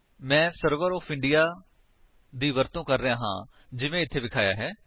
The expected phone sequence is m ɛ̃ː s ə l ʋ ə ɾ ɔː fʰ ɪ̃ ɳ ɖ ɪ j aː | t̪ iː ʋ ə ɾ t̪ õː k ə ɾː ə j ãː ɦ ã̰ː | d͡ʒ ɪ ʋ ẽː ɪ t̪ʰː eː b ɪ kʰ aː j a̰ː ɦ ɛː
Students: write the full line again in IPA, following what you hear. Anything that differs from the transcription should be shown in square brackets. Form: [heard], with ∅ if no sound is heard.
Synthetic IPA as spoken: m ɛ̃ː s ə [ɾ] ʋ ə ɾ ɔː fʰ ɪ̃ ɳ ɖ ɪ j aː | [d̪] iː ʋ ə ɾ t̪ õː k ə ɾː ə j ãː ɦ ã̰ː | d͡ʒ ɪ ʋ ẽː ɪ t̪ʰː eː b ɪ kʰ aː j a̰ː ɦ ɛː